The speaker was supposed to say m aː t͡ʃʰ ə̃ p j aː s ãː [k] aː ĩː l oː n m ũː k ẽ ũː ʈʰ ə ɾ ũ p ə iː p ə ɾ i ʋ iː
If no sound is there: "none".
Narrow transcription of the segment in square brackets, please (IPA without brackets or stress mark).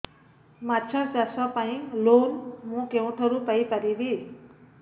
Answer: p